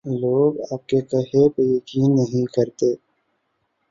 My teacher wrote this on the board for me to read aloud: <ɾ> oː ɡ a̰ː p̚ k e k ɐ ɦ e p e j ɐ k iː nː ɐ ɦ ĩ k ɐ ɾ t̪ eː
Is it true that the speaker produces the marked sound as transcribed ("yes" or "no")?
no